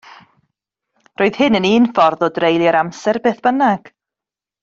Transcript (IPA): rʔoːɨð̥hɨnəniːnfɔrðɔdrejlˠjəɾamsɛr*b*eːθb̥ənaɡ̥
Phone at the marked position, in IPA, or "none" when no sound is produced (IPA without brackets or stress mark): b